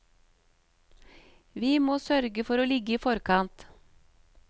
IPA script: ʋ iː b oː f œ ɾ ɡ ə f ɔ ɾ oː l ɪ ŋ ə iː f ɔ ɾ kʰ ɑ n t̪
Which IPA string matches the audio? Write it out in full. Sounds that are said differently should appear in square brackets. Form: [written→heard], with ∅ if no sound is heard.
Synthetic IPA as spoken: ʋ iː [b→m] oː [f→s] œ ɾ ɡ ə f ɔ ɾ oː l ɪ [ŋ→ɡ] ə iː f ɔ ɾ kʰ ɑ n t̪